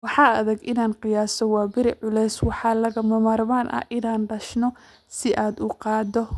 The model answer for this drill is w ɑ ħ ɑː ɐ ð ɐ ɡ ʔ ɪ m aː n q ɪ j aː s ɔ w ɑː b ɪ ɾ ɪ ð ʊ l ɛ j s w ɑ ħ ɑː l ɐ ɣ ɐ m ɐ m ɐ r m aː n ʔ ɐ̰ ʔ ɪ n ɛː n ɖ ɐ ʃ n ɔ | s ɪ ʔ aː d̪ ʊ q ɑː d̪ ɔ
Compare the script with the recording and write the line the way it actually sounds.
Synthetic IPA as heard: w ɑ ħ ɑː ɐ ð ɐ ɡ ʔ ɪ n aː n q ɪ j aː s ɔ w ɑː b ɪ ɾ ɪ ʕ ʊ l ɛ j s w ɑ ħ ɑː l ɐ ɣ ɐ m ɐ m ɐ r m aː n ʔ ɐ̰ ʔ ɪ n aː n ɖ ɐ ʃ n ɔ | s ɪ ʔ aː d̪ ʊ q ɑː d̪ ɔ